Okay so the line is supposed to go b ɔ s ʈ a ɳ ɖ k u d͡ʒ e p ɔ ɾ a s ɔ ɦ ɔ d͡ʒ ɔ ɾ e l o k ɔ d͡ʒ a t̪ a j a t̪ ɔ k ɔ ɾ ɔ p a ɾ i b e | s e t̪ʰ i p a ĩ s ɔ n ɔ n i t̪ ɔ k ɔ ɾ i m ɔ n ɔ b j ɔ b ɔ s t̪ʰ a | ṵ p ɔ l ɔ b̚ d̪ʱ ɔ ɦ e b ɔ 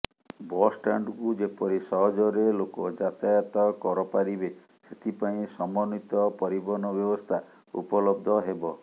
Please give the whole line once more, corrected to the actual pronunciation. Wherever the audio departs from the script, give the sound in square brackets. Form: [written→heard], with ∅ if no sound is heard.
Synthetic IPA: b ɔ s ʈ a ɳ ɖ k u d͡ʒ e p ɔ ɾ [a→i] s ɔ ɦ ɔ d͡ʒ ɔ ɾ e l o k ɔ d͡ʒ a t̪ a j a t̪ ɔ k ɔ ɾ ɔ p a ɾ i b e | s e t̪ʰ i p a ĩ s ɔ [n→m] ɔ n i t̪ ɔ [k→p] ɔ ɾ i [m→b] ɔ n ɔ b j ɔ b ɔ s t̪ʰ a | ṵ p ɔ l ɔ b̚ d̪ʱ ɔ ɦ e b ɔ